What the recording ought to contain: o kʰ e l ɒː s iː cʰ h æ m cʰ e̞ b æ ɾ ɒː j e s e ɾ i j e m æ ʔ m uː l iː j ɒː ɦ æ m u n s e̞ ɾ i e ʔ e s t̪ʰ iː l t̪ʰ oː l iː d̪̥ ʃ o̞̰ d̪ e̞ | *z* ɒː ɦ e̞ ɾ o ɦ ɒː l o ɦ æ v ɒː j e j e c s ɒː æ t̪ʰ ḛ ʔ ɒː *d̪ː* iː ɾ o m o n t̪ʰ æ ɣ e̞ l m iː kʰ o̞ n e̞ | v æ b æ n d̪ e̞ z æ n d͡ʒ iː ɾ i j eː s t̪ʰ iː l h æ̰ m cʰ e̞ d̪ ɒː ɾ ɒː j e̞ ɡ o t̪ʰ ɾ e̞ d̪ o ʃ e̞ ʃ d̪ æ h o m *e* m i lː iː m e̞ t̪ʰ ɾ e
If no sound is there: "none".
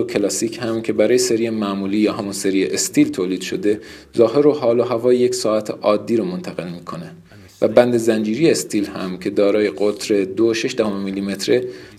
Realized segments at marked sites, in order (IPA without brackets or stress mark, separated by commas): z, d̪ː, e